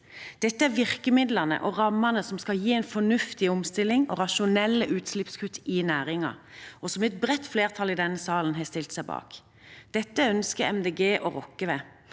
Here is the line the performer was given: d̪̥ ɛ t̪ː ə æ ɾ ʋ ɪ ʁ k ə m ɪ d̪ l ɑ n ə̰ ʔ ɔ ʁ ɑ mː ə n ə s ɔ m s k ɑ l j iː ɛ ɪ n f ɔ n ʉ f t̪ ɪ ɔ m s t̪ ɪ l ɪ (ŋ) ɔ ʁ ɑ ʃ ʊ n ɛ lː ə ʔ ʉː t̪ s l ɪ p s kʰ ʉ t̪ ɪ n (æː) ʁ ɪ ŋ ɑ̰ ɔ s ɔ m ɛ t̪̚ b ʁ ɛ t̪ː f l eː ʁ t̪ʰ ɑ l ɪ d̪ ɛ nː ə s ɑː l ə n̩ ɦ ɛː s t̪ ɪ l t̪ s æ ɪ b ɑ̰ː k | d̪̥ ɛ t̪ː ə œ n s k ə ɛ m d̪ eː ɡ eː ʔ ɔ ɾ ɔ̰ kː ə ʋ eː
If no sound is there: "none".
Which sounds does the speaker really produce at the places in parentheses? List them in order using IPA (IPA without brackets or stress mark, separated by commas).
ŋ, æː